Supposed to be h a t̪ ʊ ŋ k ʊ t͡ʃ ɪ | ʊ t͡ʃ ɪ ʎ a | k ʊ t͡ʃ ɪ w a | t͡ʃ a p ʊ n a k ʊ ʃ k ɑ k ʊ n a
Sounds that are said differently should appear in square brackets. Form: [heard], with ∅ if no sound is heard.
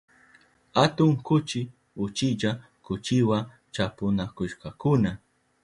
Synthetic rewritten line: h a t̪ ʊ ŋ k ʊ t͡ʃ ɪ | ʊ t͡ʃ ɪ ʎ a | k ʊ t͡ʃ ɪ w a | t͡ʃ a p ʊ n a k ʊ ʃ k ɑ k ʊ n a